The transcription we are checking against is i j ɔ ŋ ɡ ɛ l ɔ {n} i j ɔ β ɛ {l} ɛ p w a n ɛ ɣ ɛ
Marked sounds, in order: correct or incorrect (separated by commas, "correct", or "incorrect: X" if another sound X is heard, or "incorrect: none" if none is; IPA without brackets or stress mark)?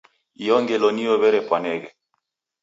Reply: correct, incorrect: ɾ